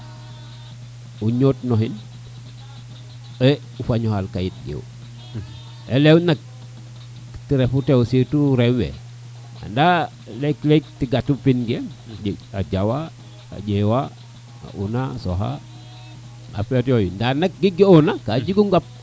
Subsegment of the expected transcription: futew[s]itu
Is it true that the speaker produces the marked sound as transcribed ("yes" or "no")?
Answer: yes